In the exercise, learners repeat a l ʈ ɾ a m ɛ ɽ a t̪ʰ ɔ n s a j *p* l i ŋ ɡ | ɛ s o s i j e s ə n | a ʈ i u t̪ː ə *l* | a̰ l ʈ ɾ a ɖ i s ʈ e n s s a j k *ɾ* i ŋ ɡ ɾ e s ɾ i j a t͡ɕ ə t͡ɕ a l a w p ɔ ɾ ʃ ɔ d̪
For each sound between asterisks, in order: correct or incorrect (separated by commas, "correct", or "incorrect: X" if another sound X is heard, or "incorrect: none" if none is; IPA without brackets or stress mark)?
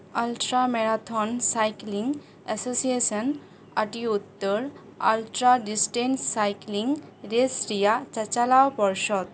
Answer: incorrect: k, incorrect: ɾ, incorrect: l